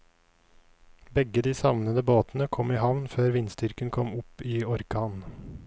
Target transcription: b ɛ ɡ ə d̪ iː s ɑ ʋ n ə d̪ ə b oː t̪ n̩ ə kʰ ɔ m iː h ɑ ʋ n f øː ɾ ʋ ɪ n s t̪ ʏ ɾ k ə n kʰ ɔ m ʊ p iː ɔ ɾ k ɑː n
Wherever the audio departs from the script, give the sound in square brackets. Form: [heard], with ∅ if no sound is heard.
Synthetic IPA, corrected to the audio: b ɛ ɡ ə d̪ iː s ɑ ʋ n ə d̪ ə b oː t̪ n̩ ə kʰ ɔ m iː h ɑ ʋ n f øː ɾ ʋ ɪ n s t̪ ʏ ɾ k ə n kʰ ɔ m ʊ p iː ɔ ɾ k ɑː n